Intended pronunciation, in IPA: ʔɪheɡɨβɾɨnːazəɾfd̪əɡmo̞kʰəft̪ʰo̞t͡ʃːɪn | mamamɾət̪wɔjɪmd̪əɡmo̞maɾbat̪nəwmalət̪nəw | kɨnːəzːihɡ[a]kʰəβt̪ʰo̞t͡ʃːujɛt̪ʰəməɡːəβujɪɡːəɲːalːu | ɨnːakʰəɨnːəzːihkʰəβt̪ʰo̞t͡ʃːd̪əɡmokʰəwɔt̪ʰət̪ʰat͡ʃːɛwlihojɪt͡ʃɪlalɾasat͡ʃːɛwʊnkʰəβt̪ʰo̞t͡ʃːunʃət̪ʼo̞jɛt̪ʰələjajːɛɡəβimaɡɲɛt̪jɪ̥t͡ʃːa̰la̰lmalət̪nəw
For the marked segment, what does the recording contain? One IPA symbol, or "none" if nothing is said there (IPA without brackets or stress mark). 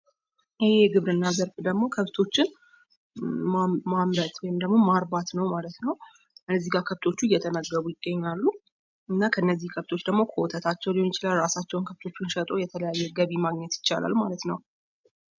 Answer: a